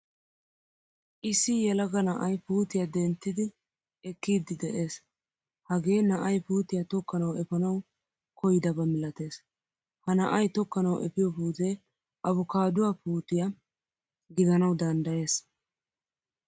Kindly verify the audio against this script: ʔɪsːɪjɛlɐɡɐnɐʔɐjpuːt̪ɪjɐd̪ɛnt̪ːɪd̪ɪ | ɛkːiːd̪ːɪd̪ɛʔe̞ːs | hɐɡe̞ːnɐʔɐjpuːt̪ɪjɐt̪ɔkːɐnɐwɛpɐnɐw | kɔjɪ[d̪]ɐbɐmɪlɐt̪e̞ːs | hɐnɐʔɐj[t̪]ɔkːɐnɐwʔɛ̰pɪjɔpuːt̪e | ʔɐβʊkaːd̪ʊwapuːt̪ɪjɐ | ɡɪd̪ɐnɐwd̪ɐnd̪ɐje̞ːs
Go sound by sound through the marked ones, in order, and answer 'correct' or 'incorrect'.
correct, correct

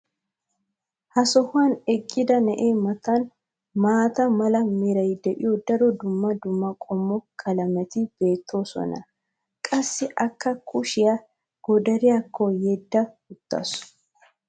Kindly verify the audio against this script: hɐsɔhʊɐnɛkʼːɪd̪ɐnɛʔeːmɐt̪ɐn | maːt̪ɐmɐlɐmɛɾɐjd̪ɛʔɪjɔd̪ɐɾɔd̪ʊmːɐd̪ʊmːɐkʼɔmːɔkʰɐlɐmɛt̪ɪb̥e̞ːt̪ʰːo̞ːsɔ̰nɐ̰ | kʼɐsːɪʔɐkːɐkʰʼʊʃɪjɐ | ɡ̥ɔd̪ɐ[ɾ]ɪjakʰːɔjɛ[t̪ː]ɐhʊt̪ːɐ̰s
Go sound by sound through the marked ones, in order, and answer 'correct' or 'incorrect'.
correct, incorrect: d̪ː

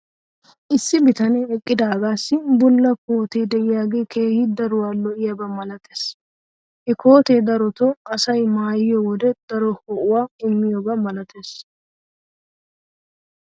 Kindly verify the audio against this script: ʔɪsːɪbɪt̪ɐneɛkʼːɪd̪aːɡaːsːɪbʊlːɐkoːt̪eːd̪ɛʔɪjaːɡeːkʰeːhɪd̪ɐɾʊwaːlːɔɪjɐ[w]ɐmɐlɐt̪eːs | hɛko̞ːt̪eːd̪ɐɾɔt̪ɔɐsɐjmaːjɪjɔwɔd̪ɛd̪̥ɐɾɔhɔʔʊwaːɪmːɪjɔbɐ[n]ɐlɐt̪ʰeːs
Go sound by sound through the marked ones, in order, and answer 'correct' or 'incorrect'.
incorrect: b, incorrect: m

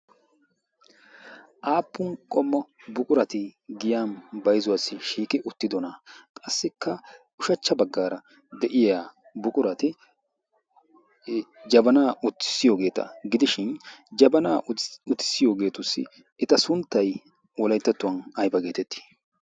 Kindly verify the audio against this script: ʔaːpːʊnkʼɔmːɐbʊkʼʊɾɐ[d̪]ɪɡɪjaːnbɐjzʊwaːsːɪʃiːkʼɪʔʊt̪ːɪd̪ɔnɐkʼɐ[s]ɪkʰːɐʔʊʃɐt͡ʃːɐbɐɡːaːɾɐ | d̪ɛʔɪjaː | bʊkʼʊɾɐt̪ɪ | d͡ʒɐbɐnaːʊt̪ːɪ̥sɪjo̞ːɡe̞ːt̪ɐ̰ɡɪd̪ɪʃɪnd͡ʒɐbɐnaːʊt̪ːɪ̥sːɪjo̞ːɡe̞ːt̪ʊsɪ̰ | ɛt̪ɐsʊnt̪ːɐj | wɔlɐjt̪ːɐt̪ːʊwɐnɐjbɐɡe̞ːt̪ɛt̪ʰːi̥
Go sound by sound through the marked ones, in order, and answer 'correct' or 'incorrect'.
incorrect: t̪, incorrect: sː

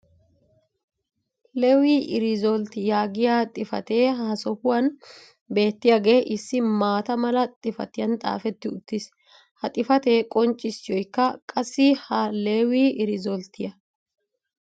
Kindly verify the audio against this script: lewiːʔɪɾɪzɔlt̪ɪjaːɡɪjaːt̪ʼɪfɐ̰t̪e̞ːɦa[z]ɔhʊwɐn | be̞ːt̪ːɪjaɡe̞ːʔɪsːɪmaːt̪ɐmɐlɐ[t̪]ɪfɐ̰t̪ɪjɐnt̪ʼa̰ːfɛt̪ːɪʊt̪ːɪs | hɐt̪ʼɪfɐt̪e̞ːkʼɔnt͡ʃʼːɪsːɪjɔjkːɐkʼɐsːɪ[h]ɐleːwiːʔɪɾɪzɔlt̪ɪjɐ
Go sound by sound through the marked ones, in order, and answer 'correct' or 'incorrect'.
incorrect: s, incorrect: t̪ʼ, correct

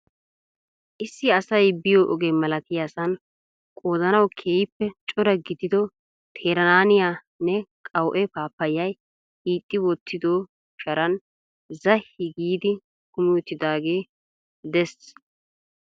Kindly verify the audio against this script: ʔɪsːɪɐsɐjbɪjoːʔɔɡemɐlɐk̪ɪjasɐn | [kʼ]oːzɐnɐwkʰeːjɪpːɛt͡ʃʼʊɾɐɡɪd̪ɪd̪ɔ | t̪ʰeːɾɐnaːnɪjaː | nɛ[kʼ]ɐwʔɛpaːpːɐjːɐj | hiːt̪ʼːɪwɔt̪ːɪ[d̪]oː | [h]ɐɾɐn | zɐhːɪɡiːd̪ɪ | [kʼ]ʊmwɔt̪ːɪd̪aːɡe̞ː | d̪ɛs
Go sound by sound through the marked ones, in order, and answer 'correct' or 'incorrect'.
correct, correct, correct, incorrect: ʃ, incorrect: k

